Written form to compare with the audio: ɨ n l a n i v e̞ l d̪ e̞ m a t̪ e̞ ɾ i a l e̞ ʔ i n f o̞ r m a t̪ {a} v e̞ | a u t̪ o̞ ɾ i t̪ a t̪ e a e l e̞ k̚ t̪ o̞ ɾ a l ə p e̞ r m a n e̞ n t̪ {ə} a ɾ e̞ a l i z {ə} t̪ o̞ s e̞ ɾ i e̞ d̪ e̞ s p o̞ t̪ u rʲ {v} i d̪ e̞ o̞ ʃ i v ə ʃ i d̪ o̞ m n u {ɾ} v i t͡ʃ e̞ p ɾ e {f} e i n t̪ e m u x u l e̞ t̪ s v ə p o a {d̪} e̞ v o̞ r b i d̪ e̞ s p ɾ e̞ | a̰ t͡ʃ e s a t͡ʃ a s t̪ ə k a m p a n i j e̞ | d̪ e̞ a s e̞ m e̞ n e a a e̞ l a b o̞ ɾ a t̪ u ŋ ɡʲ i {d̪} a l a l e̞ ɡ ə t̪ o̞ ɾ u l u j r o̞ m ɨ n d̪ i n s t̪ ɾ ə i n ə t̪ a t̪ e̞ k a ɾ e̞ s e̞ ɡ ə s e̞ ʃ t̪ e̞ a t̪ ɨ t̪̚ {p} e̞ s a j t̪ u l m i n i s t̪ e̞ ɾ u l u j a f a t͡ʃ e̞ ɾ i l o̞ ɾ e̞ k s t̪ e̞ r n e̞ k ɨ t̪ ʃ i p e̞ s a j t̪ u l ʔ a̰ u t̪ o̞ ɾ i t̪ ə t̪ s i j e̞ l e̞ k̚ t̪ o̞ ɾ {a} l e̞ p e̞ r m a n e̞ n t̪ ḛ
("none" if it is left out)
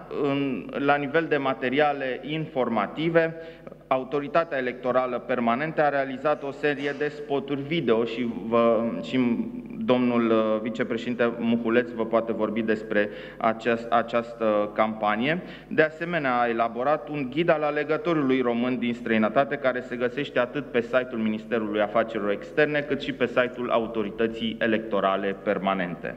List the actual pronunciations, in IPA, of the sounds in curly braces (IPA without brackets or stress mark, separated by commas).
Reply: i, ə, a, v, l, ʃ, t̪, d̪, p, a